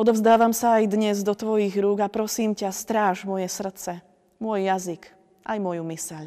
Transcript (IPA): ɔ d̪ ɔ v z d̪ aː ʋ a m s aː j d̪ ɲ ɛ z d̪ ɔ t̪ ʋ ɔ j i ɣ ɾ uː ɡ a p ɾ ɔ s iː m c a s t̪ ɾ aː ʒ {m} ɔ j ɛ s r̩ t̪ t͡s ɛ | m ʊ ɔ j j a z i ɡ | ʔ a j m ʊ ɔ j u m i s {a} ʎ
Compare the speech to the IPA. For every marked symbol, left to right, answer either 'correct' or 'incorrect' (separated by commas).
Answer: correct, incorrect